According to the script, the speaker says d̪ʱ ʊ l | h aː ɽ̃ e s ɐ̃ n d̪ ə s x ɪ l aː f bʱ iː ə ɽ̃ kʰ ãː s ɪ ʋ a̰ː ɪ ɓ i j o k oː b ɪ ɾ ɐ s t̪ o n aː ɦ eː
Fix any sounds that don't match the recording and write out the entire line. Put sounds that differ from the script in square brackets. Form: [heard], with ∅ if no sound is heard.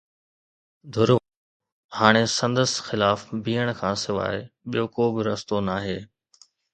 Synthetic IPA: d̪ʱ ʊ [ɾ] | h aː ɽ̃ e s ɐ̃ n d̪ ə s x ɪ l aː f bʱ iː ə ɽ̃ kʰ ãː s ɪ ʋ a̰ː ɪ ɓ i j o k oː b ɪ ɾ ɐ s t̪ o n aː ɦ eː

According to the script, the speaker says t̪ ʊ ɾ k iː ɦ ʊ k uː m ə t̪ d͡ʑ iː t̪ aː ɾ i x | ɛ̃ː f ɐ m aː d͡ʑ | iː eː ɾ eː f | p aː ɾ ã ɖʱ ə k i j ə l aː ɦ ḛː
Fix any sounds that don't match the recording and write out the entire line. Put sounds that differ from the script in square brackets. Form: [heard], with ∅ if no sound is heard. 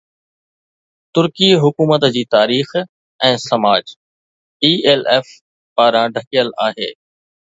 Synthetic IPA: t̪ ʊ ɾ k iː ɦ ʊ k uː m ə t̪ d͡ʑ iː t̪ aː ɾ [iː] x | ɛ̃ː [s] ɐ m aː d͡ʑ | iː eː [l] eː f | p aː ɾ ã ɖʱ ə k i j ə l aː ɦ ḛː

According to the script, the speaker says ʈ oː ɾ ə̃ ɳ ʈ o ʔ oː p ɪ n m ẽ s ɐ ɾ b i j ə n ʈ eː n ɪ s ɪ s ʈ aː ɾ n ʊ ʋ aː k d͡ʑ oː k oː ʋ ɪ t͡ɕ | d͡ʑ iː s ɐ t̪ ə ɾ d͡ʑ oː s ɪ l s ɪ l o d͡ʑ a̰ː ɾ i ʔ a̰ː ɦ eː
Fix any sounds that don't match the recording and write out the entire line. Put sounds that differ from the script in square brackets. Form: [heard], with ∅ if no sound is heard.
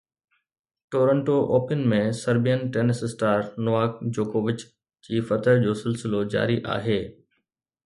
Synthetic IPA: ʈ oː ɾ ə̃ ɳ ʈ o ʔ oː p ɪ n m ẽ s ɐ ɾ b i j ə n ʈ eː n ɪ s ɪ s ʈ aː ɾ n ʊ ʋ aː k d͡ʑ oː k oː ʋ ɪ t͡ɕ | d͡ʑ iː [f] ɐ t̪ ə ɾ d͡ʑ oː s ɪ l s ɪ l o d͡ʑ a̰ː ɾ i ʔ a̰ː ɦ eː

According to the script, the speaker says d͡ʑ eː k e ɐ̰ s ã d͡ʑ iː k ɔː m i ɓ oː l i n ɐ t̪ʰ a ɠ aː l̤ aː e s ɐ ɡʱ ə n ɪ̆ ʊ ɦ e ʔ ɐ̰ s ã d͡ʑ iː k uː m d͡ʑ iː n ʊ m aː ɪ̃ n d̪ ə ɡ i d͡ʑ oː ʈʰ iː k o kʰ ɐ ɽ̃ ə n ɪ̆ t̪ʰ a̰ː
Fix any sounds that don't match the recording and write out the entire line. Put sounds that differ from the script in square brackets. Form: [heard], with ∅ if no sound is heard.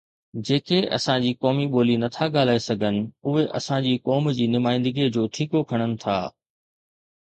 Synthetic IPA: d͡ʑ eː k e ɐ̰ s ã d͡ʑ iː k ɔː m i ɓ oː l i n ɐ t̪ʰ a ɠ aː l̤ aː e s ɐ ɡʱ ə n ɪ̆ ʊ ɦ e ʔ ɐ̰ s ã d͡ʑ iː k [ɔː] m d͡ʑ iː n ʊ m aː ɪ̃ n d̪ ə ɡ i d͡ʑ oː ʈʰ iː k o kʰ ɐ ɽ̃ ə n ɪ̆ t̪ʰ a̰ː

